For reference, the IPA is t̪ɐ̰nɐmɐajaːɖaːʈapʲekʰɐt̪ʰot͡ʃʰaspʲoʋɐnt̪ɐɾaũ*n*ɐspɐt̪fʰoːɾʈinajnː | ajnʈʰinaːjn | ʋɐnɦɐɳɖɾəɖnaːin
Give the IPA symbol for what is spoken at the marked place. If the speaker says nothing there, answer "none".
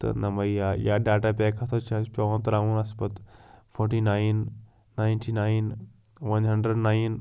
n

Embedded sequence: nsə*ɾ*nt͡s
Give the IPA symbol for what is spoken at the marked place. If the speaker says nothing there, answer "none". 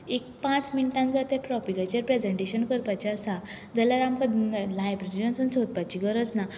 none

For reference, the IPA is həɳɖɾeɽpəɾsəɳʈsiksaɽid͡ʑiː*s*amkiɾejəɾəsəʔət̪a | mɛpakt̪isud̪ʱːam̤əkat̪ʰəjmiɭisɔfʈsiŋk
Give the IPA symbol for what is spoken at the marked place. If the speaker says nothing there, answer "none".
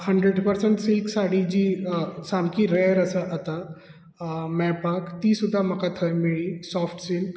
s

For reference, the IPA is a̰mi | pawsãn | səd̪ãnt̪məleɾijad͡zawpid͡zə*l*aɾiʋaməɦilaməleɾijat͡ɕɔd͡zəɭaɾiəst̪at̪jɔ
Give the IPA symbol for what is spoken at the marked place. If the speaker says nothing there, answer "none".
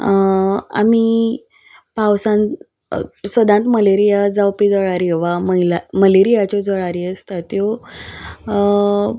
ɭ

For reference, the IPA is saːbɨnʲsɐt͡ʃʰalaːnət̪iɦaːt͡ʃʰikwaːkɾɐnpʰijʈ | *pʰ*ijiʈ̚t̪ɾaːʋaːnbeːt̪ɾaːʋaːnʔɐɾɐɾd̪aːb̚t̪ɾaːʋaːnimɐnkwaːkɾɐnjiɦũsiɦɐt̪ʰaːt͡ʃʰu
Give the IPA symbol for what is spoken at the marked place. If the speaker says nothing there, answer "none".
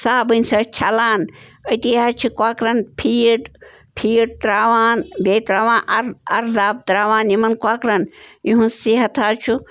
pʰ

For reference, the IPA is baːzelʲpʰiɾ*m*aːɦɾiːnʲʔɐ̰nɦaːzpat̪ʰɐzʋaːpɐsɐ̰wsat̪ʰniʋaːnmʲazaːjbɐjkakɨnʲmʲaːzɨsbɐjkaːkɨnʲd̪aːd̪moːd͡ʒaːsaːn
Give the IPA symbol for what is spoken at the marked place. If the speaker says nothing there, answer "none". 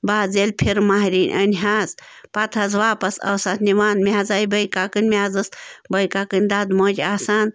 m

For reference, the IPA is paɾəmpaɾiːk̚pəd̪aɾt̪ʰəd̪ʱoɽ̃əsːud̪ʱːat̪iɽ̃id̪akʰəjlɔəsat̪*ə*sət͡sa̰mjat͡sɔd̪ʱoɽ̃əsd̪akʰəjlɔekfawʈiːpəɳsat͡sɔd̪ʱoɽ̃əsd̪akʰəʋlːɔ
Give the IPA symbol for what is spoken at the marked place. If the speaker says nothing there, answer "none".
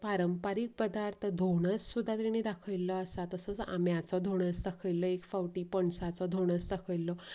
ə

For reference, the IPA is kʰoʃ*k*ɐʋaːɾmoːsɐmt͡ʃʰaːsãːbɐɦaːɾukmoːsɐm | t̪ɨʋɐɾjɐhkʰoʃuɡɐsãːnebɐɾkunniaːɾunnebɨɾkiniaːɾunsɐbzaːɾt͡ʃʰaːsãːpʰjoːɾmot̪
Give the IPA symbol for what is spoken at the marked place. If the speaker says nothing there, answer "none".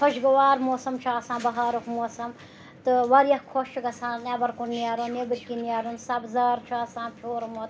ɡ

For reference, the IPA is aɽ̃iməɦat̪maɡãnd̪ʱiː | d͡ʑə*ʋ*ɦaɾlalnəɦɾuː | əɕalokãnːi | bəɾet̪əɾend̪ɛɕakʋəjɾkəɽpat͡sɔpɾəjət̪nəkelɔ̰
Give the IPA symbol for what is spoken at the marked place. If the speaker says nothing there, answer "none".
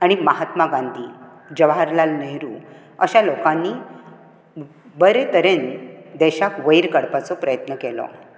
ʋ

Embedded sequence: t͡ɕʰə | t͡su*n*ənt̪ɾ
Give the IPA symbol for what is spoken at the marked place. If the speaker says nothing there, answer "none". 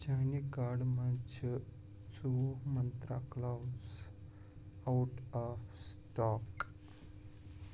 m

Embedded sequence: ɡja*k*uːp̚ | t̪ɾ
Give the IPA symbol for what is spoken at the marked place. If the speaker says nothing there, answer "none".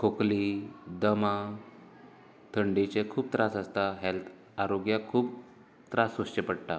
kʰ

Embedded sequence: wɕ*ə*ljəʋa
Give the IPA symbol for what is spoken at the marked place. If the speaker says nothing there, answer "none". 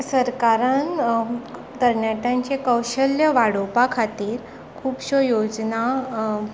ə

